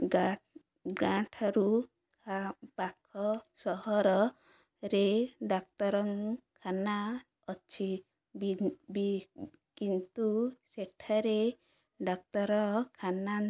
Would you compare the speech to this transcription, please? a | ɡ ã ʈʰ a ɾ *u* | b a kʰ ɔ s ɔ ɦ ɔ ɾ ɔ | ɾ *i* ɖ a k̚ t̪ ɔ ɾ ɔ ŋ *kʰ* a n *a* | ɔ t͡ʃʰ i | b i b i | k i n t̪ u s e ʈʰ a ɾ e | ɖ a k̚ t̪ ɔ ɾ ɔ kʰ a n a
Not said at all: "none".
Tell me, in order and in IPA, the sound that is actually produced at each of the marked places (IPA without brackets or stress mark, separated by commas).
u, e, kʰ, a